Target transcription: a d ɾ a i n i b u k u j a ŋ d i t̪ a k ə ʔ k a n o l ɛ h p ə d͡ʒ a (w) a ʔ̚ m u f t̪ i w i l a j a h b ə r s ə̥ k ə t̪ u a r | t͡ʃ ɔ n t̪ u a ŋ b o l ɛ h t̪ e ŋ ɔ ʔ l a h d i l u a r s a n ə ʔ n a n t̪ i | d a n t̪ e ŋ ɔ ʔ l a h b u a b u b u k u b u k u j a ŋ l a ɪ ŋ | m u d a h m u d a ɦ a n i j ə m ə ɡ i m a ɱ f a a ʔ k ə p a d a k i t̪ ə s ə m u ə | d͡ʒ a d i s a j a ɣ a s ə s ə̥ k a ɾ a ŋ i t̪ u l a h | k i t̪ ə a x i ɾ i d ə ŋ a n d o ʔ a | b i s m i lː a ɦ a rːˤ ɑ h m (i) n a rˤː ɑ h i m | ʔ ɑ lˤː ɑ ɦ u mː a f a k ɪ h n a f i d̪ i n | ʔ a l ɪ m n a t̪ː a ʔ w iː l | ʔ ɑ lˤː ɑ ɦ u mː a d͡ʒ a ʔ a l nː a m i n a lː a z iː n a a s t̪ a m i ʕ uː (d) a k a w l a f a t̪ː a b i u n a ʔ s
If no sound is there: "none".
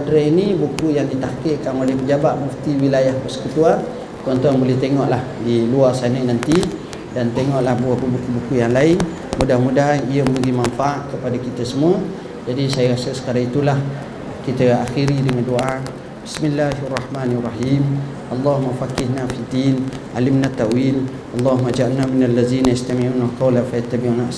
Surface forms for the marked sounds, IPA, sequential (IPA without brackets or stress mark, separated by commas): b, a, n